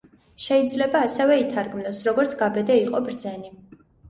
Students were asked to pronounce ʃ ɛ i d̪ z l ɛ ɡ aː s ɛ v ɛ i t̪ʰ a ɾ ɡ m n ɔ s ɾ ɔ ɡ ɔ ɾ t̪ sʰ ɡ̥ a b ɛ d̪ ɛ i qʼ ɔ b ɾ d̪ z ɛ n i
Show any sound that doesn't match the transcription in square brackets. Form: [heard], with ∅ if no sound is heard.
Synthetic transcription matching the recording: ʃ ɛ i d̪ z l ɛ [b] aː s ɛ v ɛ i t̪ʰ a ɾ ɡ m n ɔ s ɾ ɔ ɡ ɔ ɾ t̪ sʰ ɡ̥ a b ɛ d̪ ɛ i qʼ ɔ b ɾ d̪ z ɛ n i

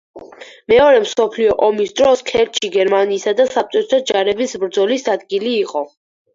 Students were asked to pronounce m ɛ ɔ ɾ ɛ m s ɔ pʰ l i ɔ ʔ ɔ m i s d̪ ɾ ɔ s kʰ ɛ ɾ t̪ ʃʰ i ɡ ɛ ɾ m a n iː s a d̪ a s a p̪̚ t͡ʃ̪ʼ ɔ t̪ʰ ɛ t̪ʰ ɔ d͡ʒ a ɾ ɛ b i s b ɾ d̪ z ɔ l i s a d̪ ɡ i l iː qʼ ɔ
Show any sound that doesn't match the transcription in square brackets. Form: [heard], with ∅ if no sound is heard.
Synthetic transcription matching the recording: m ɛ ɔ ɾ ɛ m s ɔ pʰ l i ɔ ʔ ɔ m i s d̪ ɾ ɔ s kʰ ɛ ɾ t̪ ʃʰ i ɡ ɛ ɾ m a n iː s a d̪ a s a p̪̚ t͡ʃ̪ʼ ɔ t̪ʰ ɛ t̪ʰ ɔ d͡ʒ a ɾ ɛ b i s b ɾ d̪ z ɔ l i s a d̪ ɡ i l iː qʼ ɔ

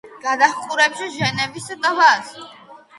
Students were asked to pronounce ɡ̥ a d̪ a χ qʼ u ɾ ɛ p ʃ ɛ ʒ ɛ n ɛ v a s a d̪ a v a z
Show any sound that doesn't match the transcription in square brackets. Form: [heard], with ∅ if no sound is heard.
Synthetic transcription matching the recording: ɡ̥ a d̪ a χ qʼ u ɾ ɛ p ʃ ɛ ʒ ɛ n ɛ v [i] s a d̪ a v a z

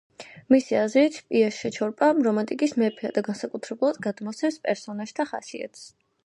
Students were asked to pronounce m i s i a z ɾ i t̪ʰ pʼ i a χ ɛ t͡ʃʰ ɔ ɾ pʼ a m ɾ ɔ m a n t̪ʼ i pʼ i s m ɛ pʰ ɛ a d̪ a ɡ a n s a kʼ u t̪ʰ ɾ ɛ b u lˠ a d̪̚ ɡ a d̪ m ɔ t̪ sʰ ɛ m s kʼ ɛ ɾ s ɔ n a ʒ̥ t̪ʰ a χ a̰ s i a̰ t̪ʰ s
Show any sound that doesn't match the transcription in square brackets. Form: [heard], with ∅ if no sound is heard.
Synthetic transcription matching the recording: m i s i a z ɾ i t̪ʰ pʼ i a [ʃ] ɛ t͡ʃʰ ɔ ɾ pʼ a m ɾ ɔ m a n t̪ʼ i [kʼ] i s m ɛ pʰ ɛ a d̪ a ɡ a n s a kʼ u t̪ʰ ɾ ɛ b u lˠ a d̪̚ ɡ a d̪ m ɔ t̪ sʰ ɛ m s [pʼ] ɛ ɾ s ɔ n a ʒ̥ t̪ʰ a χ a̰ s i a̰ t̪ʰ s

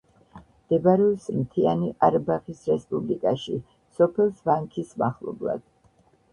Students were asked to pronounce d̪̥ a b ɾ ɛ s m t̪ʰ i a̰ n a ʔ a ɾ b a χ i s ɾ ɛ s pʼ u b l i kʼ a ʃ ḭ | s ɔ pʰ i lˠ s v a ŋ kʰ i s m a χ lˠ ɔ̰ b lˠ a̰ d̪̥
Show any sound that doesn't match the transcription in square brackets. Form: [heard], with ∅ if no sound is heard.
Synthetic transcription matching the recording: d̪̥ [ɛ] b ɾ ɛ s m t̪ʰ i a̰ n [i] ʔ a ɾ b a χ i s ɾ ɛ s pʼ u b l i kʼ a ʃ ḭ | s ɔ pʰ [ɛ] lˠ s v a ŋ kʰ i s m a χ lˠ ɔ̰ b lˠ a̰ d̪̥

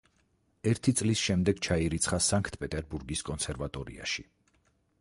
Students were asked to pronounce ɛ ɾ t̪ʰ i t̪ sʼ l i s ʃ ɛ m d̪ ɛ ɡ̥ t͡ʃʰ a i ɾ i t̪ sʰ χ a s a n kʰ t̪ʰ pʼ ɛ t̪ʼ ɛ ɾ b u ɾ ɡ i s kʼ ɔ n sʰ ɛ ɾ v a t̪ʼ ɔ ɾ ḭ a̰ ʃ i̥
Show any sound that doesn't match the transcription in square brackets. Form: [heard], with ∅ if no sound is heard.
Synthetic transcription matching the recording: ɛ ɾ t̪ʰ i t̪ sʼ l i s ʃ ɛ m d̪ ɛ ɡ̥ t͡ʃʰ a i ɾ i t̪ sʰ χ a s a [ŋ] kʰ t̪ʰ pʼ ɛ t̪ʼ ɛ ɾ b u ɾ ɡ i s kʼ ɔ n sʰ ɛ ɾ v a t̪ʼ ɔ ɾ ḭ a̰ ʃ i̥

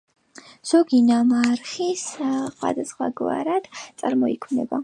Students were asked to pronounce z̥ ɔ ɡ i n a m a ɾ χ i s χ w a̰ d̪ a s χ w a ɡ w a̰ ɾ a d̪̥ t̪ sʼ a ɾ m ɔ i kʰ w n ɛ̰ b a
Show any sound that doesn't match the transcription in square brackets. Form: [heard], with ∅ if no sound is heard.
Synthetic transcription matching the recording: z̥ ɔ ɡ i n a m a ɾ χ i s χ w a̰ d̪ a s χ w a ɡ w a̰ ɾ a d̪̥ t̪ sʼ a ɾ m ɔ i kʰ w n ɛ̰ b a

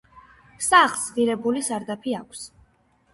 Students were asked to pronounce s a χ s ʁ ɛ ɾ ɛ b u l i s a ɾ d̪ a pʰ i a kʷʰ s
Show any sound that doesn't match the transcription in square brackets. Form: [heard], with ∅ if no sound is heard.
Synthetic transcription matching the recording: s a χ s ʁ [i] ɾ ɛ b u l i s a ɾ d̪ a pʰ i a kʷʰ s

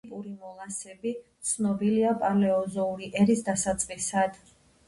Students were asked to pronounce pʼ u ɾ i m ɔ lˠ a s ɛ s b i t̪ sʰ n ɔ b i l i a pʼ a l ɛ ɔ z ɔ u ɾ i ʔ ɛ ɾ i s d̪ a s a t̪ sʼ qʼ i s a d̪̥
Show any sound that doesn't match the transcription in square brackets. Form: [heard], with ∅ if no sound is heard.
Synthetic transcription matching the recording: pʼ u ɾ i m ɔ lˠ a s ɛ [∅] b i t̪ sʰ n ɔ b i l i a pʼ a l ɛ ɔ z ɔ u ɾ i ʔ ɛ ɾ i s d̪ a s a t̪ sʼ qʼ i s a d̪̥

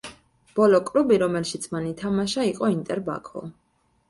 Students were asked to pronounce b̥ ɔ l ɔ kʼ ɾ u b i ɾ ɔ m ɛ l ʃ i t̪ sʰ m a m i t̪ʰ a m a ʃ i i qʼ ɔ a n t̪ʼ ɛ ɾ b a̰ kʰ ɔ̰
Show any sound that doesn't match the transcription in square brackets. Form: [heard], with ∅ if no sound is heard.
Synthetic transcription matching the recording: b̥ ɔ l ɔ kʼ ɾ u b i ɾ ɔ m ɛ l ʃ i t̪ sʰ m a [n] i t̪ʰ a m a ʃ [a] i qʼ ɔ [i] n t̪ʼ ɛ ɾ b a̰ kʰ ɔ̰

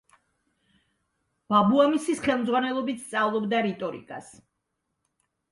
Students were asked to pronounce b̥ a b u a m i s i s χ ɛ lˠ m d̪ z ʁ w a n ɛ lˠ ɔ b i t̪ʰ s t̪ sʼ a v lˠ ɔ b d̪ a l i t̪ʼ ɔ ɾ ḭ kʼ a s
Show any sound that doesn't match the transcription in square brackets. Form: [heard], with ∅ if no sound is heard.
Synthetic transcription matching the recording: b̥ a b u a m i s i s χ ɛ lˠ m d̪ z ʁ w a n ɛ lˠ ɔ b i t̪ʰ s t̪ sʼ a v lˠ ɔ b d̪ a [ɾ] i t̪ʼ ɔ ɾ ḭ kʼ a s

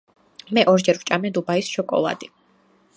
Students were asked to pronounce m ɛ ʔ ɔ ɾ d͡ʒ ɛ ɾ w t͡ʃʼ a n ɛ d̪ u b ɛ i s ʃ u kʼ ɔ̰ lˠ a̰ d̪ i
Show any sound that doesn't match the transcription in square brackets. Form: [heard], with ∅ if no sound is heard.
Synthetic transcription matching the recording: m ɛ ʔ ɔ ɾ d͡ʒ ɛ ɾ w t͡ʃʼ a [m] ɛ d̪ u b [a] i s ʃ [ɔ] kʼ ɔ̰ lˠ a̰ d̪ i

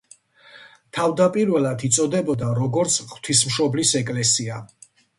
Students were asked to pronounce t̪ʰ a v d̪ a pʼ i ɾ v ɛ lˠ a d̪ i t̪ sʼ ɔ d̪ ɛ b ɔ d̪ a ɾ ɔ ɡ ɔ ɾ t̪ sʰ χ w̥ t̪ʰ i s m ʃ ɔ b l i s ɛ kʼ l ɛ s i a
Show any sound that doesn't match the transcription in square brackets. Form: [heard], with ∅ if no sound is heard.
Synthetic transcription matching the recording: t̪ʰ a v d̪ a pʼ i ɾ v ɛ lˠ a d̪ i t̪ sʼ ɔ d̪ ɛ b ɔ d̪ a ɾ ɔ ɡ ɔ ɾ t̪ sʰ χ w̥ t̪ʰ i s m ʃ ɔ b l i s ɛ kʼ l ɛ s i a

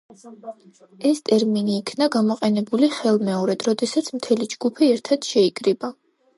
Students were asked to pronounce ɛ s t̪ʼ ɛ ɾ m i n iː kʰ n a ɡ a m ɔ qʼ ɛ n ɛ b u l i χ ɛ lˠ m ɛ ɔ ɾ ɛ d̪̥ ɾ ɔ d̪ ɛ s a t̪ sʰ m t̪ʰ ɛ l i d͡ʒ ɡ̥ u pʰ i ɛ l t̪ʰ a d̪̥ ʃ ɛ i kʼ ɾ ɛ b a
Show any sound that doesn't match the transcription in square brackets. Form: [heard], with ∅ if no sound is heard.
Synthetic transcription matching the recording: ɛ s t̪ʼ ɛ ɾ m i n iː kʰ n a ɡ a m ɔ qʼ ɛ n ɛ b u l i χ ɛ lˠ m ɛ ɔ ɾ ɛ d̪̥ ɾ ɔ d̪ ɛ s a t̪ sʰ m t̪ʰ ɛ l i d͡ʒ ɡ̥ u pʰ i ɛ [ɾ] t̪ʰ a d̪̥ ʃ ɛ i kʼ ɾ [i] b a

